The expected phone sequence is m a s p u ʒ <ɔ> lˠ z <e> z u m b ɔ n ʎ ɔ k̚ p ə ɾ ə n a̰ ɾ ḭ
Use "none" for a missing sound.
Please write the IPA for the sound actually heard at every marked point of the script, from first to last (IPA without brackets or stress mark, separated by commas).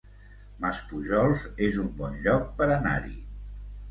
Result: ɔ, e